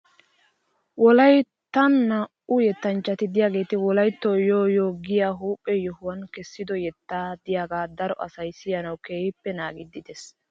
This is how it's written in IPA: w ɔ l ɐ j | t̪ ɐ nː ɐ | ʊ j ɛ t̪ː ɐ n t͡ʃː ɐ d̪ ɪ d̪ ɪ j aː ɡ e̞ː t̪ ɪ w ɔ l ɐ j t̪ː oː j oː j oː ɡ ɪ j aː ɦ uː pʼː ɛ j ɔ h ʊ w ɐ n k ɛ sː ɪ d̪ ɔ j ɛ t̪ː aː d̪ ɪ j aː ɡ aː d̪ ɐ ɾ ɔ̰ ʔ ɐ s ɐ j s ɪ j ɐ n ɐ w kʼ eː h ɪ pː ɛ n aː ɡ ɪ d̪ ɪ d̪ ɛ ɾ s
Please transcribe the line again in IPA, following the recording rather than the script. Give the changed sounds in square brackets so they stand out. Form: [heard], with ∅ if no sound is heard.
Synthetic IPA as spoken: w ɔ l ɐ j | t̪ ɐ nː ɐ | ʊ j ɛ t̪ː ɐ n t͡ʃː ɐ [t̪] ɪ d̪ ɪ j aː ɡ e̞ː t̪ ɪ w ɔ l ɐ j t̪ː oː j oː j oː ɡ ɪ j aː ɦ uː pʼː ɛ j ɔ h ʊ w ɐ n k ɛ sː ɪ d̪ ɔ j ɛ t̪ː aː d̪ ɪ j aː ɡ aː d̪ ɐ ɾ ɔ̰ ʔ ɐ s ɐ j s ɪ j ɐ n ɐ w [k] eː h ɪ pː ɛ n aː ɡ ɪ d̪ ɪ d̪ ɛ [∅] s